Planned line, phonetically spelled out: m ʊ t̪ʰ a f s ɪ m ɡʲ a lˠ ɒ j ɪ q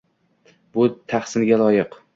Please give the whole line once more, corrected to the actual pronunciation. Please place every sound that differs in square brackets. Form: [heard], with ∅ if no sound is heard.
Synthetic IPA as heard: [b] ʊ t̪ʰ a [χ] s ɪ [n] ɡʲ a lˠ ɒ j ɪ q